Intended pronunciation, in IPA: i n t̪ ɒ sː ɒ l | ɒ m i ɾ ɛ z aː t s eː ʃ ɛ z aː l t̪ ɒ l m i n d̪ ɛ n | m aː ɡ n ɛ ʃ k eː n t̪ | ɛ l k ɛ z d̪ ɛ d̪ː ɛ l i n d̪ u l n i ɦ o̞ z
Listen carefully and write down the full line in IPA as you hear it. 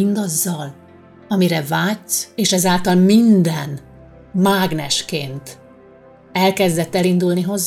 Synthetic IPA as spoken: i n d̪ ɒ zː ɒ l | ɒ m i ɾ ɛ v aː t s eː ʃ ɛ z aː l t̪ ɒ l m i n d̪ ɛ n | m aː ɡ n ɛ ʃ k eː n t̪ | ɛ l k ɛ z d̪ ɛ t̪ː ɛ l i n d̪ u l n i ɦ o̞ z